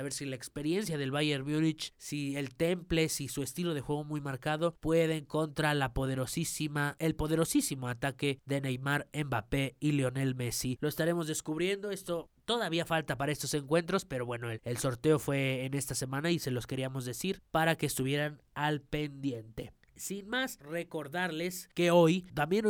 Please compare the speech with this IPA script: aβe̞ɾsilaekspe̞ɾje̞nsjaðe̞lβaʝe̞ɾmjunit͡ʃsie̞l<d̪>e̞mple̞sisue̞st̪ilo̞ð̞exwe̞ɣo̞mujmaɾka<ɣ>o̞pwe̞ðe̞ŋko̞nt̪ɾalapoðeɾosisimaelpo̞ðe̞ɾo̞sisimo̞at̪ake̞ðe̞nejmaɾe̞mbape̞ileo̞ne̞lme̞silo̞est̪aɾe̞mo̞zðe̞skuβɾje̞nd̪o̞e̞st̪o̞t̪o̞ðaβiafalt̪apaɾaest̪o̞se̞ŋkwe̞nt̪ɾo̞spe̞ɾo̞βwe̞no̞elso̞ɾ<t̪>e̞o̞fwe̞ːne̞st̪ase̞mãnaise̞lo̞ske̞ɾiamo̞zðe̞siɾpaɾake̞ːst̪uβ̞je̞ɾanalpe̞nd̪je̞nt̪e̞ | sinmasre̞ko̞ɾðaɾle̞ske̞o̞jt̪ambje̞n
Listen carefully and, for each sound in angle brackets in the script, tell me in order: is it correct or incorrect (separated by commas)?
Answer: incorrect, incorrect, correct